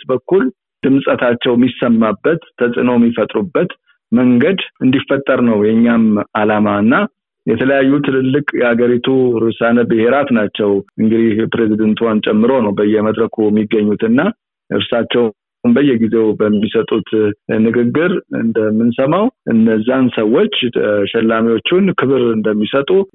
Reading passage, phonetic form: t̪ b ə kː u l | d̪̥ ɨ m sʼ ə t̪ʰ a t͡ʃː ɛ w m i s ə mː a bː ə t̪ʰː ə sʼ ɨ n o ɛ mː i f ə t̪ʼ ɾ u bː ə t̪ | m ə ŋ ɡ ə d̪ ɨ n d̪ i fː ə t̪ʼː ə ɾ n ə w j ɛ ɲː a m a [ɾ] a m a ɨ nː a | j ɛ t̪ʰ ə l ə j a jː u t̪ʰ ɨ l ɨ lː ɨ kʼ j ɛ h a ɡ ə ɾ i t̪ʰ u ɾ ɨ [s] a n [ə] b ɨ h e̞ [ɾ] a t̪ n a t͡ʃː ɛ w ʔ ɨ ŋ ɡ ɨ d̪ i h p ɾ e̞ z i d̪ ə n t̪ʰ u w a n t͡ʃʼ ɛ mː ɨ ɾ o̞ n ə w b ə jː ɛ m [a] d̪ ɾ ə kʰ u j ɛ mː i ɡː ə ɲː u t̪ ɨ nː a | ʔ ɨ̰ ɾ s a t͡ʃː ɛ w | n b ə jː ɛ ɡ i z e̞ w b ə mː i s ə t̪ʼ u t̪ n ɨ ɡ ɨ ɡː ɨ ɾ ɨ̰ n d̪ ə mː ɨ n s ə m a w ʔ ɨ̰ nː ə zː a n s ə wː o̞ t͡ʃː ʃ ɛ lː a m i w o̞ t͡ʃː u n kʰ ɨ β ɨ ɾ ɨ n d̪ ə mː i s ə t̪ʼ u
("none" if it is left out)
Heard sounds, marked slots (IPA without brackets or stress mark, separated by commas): l, s, ə, ɾ, ə